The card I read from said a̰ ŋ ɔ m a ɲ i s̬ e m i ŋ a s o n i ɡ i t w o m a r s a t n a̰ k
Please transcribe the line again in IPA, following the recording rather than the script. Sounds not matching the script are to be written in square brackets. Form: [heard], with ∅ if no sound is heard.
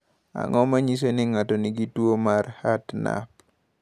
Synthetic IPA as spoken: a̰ ŋ ɔ m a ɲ i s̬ e [n] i ŋ a [t] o n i ɡ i t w o m a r [h] a t n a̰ [p]